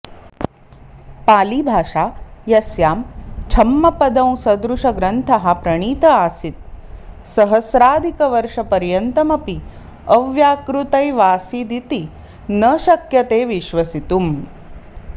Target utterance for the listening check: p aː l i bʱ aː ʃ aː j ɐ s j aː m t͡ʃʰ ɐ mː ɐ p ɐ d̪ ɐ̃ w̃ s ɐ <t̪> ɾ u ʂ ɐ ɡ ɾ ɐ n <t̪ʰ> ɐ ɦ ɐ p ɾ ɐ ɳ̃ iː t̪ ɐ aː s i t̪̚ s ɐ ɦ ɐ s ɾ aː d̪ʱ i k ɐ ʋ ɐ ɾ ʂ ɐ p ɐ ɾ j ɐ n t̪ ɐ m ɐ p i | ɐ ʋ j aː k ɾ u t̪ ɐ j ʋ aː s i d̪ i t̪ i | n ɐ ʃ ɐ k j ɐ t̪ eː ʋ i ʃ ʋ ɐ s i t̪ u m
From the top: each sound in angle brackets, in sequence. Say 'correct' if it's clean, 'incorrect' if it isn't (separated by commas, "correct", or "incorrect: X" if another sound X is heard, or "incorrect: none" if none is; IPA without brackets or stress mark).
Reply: incorrect: d̪, correct